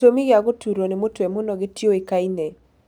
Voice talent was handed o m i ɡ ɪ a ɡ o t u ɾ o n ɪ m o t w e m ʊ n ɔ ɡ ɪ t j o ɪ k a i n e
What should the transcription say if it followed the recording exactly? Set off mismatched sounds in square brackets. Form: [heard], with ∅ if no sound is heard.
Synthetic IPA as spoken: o m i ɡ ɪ a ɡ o t u ɾ o n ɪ m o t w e m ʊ n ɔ ɡ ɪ t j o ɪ k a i n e